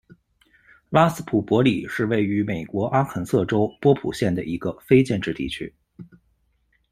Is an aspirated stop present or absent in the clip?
present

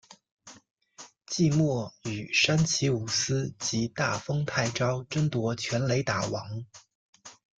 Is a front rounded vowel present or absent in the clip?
present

